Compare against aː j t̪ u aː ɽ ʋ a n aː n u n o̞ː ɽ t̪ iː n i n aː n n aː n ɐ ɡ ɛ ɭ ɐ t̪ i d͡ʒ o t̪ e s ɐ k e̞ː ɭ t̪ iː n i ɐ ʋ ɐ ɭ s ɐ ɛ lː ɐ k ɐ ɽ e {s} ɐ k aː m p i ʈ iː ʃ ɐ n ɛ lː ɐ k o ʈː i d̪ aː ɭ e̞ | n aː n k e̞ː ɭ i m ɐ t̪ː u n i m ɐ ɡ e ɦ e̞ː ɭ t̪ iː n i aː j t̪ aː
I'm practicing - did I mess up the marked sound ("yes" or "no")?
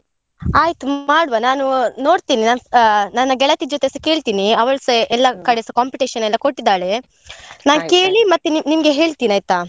no